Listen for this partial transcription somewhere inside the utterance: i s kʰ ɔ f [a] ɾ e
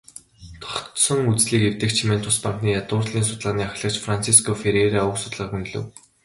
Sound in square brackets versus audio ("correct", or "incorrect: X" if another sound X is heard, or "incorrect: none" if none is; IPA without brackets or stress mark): incorrect: e